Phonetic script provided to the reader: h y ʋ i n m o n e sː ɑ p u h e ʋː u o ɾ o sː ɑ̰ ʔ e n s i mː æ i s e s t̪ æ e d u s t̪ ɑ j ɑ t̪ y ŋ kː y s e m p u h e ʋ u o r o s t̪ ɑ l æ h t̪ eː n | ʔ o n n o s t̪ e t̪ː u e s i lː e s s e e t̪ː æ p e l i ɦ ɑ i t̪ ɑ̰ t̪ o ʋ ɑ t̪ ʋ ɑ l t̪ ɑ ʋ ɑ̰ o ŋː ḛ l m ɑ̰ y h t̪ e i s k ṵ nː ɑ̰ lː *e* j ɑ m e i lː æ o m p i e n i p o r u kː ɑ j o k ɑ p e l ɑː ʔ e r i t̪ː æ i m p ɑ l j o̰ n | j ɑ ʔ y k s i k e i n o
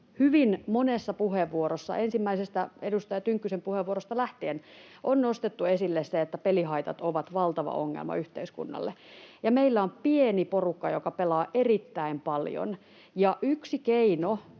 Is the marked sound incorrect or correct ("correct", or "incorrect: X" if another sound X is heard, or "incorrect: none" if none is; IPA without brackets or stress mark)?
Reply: correct